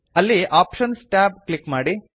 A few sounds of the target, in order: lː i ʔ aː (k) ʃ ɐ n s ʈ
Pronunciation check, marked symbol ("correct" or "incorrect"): incorrect